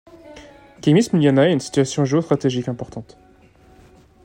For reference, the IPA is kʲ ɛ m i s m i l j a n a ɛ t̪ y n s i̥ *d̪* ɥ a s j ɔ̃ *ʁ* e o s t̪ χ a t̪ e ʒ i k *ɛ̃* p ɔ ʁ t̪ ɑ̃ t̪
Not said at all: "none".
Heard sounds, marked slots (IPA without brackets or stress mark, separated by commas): t̪, ʒ, ɛ̃